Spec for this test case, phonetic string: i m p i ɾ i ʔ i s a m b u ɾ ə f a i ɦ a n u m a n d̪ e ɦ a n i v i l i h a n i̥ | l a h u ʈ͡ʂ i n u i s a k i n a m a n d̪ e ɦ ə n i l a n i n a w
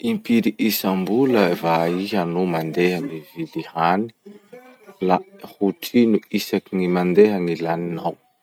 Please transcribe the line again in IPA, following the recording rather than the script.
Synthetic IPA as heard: i m p i ɾ i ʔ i s a m b u l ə v a i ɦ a n u m a n d̪ e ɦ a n i v i l i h a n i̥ | l a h u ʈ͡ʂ i n u i s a k i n i m a n d̪ e ɦ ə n i l a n i n a w